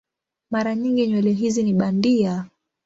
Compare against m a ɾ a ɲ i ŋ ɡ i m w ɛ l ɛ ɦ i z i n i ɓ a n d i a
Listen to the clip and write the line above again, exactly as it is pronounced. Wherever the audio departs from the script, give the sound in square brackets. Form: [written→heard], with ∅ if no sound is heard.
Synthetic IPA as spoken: m a ɾ a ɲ i ŋ ɡ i [m→ɲ] w ɛ l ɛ ɦ i z i n i ɓ a n d i a